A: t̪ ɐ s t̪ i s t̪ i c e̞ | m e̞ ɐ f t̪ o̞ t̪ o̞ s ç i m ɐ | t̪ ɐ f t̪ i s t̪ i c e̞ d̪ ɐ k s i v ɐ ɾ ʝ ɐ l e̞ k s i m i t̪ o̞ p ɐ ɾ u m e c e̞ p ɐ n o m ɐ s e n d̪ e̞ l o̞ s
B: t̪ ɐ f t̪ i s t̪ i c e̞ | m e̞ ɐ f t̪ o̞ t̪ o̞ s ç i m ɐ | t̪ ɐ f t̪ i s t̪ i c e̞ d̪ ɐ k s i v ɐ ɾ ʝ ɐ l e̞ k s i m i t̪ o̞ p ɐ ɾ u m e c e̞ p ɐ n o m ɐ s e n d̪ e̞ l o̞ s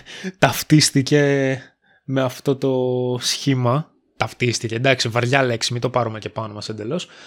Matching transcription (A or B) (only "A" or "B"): B